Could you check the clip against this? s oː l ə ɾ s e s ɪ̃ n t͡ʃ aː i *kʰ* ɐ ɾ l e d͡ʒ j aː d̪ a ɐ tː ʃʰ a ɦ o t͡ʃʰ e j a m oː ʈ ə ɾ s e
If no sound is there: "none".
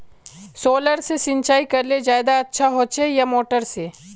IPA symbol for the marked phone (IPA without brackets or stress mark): k